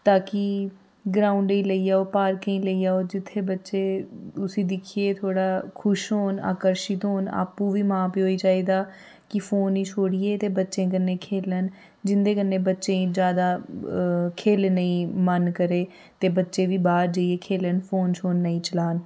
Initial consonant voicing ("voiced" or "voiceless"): voiceless